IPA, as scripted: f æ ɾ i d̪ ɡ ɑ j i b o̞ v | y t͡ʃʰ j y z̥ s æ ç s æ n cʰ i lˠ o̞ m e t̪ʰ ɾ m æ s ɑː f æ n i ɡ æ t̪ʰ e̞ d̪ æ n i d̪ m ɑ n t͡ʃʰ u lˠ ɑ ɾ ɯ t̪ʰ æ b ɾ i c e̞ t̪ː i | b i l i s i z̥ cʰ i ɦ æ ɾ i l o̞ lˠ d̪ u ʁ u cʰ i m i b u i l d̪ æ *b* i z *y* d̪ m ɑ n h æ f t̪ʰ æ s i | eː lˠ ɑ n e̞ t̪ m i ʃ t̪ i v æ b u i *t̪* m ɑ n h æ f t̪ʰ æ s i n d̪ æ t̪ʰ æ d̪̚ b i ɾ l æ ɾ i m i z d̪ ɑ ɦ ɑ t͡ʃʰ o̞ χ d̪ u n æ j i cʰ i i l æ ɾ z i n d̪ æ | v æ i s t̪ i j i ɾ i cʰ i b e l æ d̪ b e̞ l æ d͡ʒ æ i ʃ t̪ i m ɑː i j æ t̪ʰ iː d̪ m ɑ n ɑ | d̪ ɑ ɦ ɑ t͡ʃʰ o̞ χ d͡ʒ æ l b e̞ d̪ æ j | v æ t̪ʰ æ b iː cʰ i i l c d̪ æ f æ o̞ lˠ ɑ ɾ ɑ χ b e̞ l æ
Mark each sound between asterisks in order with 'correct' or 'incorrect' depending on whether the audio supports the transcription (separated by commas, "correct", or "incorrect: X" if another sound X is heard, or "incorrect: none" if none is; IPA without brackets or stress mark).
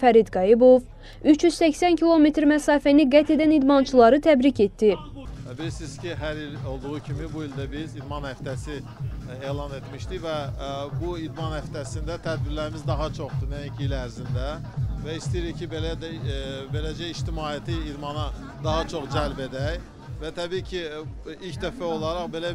correct, incorrect: i, incorrect: d̪